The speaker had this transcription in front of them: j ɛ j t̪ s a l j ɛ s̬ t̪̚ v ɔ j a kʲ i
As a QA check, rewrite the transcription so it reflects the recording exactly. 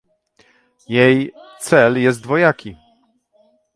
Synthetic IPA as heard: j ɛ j t̪ s ɛ l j ɛ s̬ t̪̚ v ɔ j a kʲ i